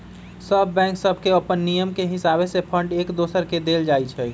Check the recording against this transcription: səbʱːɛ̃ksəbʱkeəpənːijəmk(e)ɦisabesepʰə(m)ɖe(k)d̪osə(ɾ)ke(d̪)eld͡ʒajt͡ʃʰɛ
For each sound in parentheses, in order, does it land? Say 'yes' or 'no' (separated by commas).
yes, no, yes, yes, yes